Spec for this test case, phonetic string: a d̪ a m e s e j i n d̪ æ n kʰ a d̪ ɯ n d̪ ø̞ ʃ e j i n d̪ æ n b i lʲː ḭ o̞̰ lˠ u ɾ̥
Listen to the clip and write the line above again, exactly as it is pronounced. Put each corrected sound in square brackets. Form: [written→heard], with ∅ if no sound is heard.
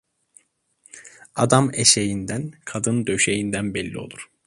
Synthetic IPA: a d̪ a m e [s→ʃ] e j i n d̪ æ n kʰ a d̪ ɯ n d̪ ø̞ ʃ e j i n d̪ æ n b [i→ɛ] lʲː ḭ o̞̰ lˠ u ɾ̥